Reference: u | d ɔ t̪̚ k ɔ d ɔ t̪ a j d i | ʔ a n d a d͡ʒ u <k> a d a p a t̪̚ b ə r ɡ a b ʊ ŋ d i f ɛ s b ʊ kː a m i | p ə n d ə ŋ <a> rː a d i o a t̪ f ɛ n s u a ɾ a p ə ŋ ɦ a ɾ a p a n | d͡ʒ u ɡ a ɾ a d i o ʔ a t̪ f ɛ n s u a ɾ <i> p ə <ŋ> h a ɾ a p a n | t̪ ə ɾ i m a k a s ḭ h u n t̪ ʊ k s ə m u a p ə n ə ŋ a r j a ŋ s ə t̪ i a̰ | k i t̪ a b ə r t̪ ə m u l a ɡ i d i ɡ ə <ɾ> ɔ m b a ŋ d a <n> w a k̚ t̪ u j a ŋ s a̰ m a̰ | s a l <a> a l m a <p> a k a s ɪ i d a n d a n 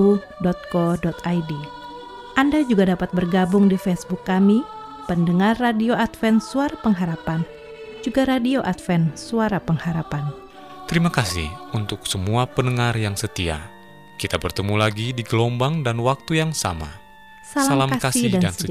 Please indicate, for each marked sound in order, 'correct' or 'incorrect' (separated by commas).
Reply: incorrect, correct, incorrect, correct, incorrect, correct, correct, incorrect